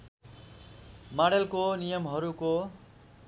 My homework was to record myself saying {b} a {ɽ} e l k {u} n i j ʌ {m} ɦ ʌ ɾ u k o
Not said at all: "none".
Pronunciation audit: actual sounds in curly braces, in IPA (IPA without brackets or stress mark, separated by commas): m, ɽ, o, m